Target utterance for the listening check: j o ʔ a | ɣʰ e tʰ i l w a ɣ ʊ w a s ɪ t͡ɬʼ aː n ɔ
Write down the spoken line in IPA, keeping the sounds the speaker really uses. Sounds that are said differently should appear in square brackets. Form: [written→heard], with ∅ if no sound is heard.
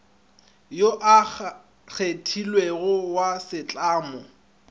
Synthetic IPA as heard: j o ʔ a | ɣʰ e tʰ i l w [a→e] ɣ ʊ w a s ɪ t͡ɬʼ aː [n→m] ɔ